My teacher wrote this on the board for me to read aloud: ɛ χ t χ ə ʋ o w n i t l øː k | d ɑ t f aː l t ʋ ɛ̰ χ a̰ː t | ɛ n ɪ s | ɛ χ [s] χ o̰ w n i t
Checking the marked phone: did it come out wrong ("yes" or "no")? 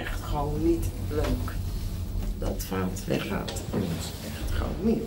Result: yes